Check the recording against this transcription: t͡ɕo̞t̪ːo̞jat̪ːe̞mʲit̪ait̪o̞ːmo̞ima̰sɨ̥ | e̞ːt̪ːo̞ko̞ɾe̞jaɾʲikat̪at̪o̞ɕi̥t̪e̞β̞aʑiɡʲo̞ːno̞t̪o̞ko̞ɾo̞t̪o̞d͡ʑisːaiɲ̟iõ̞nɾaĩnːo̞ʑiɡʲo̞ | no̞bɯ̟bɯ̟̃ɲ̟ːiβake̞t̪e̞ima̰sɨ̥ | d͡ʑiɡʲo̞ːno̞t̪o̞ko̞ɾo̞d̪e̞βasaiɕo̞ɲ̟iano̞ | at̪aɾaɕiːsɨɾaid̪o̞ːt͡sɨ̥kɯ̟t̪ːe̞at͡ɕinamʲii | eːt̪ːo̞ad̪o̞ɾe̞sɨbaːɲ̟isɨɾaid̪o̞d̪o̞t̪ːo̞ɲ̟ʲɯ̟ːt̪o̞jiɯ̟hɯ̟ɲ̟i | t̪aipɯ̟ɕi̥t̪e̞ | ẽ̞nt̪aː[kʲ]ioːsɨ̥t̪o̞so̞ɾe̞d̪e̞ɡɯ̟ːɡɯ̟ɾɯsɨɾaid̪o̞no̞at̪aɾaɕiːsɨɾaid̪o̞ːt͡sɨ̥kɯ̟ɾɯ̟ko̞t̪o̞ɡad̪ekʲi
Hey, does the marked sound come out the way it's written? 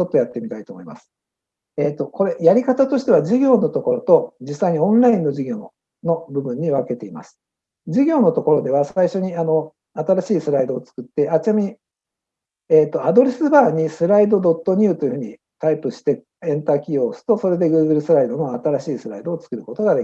yes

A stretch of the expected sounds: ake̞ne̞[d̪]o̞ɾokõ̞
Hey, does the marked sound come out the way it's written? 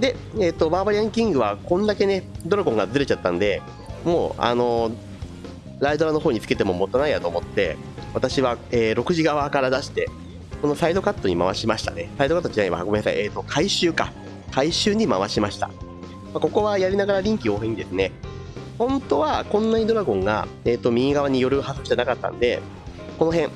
yes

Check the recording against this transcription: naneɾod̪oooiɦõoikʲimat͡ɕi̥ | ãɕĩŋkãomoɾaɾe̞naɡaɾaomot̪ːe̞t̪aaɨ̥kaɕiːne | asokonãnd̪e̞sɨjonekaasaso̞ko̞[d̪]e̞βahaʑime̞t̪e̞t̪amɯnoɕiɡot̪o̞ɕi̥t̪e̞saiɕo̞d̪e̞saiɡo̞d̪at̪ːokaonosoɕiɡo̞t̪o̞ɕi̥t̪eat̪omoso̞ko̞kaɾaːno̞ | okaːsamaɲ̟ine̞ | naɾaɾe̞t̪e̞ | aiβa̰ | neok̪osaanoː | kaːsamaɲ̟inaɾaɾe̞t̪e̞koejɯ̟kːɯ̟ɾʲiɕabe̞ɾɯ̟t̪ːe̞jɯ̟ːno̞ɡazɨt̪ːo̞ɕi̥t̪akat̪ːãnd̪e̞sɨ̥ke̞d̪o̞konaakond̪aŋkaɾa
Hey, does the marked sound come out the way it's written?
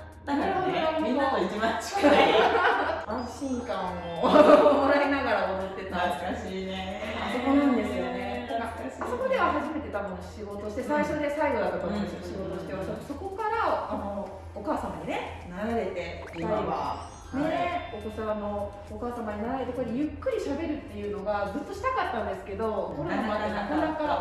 yes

